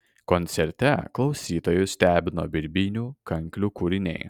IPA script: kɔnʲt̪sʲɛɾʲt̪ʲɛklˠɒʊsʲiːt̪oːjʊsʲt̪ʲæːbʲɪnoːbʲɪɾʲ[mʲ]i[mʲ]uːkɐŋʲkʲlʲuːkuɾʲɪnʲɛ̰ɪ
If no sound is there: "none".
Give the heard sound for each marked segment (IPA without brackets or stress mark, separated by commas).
bʲ, nʲ